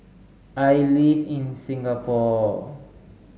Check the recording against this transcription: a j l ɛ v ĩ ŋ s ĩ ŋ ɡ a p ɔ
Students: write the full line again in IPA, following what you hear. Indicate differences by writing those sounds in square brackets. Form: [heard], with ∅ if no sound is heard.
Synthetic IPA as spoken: a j l [i] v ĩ [n] s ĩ ŋ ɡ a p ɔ